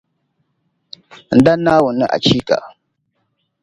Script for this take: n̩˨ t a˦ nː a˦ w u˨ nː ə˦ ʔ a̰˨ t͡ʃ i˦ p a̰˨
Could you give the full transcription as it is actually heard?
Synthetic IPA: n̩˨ d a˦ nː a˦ w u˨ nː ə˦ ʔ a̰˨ t͡ʃ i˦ k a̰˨